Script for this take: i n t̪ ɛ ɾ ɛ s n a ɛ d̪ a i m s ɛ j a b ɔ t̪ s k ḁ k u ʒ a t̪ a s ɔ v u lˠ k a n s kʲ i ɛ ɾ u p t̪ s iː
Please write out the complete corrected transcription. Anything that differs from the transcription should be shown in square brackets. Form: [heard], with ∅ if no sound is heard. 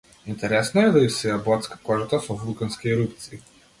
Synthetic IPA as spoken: i n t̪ ɛ ɾ ɛ s n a ɛ d̪ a i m s ɛ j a b ɔ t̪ s k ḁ k [ɔ] ʒ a t̪ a s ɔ v u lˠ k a n s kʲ i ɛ ɾ u p t̪ s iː